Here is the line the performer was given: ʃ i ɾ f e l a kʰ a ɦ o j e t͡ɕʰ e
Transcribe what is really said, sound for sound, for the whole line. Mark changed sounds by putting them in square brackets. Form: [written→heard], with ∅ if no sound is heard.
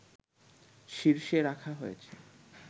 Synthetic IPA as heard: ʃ i ɾ [f→ʃ] e [l→ɾ] a kʰ a ɦ o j e t͡ɕʰ e